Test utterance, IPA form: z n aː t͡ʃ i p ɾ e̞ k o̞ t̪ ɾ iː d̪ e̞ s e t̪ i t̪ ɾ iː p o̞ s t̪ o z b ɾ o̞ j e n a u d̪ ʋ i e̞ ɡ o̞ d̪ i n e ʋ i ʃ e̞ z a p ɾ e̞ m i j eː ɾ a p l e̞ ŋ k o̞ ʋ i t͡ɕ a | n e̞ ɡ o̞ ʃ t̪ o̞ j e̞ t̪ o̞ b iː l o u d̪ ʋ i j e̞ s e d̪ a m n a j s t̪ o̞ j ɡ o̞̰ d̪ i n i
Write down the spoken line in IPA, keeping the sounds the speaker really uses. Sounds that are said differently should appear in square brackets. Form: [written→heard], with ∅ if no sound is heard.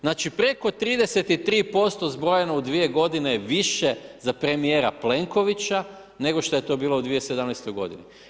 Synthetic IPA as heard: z n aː t͡ʃ i p ɾ e̞ k o̞ t̪ ɾ iː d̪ e̞ s e t̪ i t̪ ɾ iː p o̞ s t̪ o z b ɾ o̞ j e n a u d̪ ʋ i e̞ ɡ o̞ d̪ i n e ʋ i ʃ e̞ z a p ɾ e̞ m i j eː ɾ a p l e̞ ŋ k o̞ ʋ i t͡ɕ a | n e̞ ɡ o̞ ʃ t̪ o̞ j e̞ t̪ o̞ b iː l o u d̪ ʋ i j e̞ s e d̪ a m n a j s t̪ o̞ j ɡ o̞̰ d̪ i n i

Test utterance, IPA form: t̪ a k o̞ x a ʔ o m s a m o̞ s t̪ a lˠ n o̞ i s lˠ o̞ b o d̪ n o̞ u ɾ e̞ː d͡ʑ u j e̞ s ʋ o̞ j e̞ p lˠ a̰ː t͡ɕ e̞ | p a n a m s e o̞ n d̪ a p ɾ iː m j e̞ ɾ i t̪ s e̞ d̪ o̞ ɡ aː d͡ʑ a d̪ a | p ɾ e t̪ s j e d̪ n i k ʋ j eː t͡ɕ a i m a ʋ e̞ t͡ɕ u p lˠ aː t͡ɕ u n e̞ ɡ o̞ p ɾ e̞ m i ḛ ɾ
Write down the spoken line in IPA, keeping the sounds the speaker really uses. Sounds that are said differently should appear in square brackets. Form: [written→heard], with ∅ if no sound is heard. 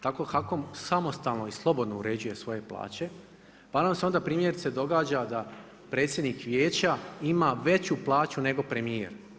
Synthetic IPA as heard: t̪ a k o̞ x a [ʔ→k] o m s a m o̞ s t̪ a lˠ n o̞ i s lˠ o̞ b o d̪ n o̞ u ɾ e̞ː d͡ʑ u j e̞ s ʋ o̞ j e̞ p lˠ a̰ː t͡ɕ e̞ | p a n a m s e o̞ n d̪ a p ɾ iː m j e̞ ɾ i t̪ s e̞ d̪ o̞ ɡ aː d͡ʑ a d̪ a | p ɾ e t̪ s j e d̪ n i k ʋ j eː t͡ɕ a i m a ʋ e̞ t͡ɕ u p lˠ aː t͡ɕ u n e̞ ɡ o̞ p ɾ e̞ m i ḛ ɾ

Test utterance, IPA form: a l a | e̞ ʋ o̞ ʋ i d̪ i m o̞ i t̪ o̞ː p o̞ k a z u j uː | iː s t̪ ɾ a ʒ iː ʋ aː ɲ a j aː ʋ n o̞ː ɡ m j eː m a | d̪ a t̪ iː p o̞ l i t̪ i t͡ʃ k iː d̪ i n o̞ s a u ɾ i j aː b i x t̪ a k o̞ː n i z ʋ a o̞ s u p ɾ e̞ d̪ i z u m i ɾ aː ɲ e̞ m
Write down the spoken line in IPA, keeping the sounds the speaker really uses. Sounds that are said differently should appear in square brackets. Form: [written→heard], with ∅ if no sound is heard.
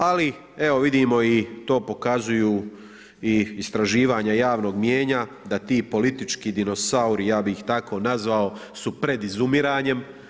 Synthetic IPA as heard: a l [a→i] | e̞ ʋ o̞ ʋ i d̪ i m o̞ i t̪ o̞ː p o̞ k a z u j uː | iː s t̪ ɾ a ʒ iː ʋ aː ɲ a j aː ʋ n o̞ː ɡ m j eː [m→ɲ] a | d̪ a t̪ iː p o̞ l i t̪ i t͡ʃ k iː d̪ i n o̞ s a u ɾ i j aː b i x t̪ a k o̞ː n [i→a] z ʋ a o̞ s u p ɾ e̞ d̪ i z u m i ɾ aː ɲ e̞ m

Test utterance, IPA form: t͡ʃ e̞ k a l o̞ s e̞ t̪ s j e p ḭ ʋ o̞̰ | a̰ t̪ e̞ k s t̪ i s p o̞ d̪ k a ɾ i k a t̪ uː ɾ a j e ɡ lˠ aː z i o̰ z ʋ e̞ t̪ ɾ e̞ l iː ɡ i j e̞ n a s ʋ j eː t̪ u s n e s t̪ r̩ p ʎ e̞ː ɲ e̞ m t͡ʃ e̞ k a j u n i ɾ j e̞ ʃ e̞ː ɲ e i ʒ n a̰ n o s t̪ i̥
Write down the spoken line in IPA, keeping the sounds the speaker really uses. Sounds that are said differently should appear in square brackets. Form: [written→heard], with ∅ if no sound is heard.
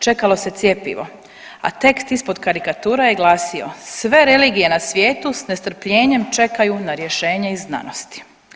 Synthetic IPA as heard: t͡ʃ e̞ k a l o̞ s e̞ t̪ s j e p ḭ ʋ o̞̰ | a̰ t̪ e̞ k s t̪ i s p o̞ d̪ k a ɾ i k a t̪ uː ɾ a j e ɡ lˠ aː [z→s] i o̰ [z→s] ʋ e̞ [t̪→∅] ɾ e̞ l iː ɡ i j e̞ n a s ʋ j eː t̪ u s n e s t̪ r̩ p ʎ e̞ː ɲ e̞ m t͡ʃ e̞ k a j u n [i→a] ɾ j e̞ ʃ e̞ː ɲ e i [ʒ→z] n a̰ n o s t̪ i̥

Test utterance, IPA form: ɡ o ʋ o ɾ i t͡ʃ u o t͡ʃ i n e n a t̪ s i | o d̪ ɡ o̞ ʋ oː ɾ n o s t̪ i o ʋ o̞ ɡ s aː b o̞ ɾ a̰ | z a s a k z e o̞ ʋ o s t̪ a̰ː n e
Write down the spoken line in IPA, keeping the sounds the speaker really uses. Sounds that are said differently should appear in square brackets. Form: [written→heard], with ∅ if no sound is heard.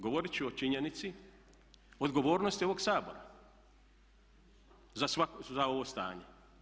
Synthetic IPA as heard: ɡ o ʋ o ɾ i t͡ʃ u o t͡ʃ i [n→ɲ] e n [a→i] t̪ s i | o d̪ ɡ o̞ ʋ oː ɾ n o s t̪ i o ʋ o̞ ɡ s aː b o̞ ɾ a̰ | z a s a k z [e→a] o̞ ʋ o s t̪ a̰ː [n→ɲ] e

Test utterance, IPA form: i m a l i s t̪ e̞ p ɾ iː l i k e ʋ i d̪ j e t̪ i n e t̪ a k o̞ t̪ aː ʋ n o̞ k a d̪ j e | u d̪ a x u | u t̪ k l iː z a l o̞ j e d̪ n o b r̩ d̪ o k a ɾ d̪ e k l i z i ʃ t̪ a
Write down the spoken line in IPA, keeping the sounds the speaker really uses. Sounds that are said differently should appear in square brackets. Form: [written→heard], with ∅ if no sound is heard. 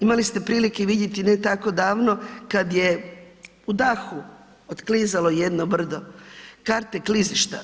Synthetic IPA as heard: i m a l i s t̪ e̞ p ɾ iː l i k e ʋ i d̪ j e t̪ i n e t̪ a k o̞ [t̪→d̪] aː ʋ n o̞ k a d̪ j e | u d̪ a x u | [u→o] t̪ k l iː z a l o̞ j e d̪ n o b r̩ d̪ o k a ɾ [d̪→t̪] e k l i z i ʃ t̪ a

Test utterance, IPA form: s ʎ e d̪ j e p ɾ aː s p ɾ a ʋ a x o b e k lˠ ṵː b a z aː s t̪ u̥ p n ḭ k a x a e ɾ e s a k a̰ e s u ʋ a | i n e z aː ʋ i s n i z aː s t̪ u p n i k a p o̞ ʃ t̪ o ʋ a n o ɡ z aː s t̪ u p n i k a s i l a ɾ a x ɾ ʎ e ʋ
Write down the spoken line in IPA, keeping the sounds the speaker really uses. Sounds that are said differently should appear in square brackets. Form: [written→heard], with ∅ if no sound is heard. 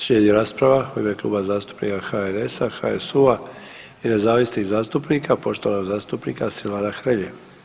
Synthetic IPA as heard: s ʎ e d̪ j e [p→∅] ɾ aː s p ɾ a ʋ a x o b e k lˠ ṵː b a z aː s t̪ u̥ p n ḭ k a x a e ɾ e s a [k→x] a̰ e s u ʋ a | i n e z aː ʋ i s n i z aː s t̪ u p n i k a p o̞ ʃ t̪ o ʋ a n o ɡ z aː s t̪ u p n i k a s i l a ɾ a x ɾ ʎ e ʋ

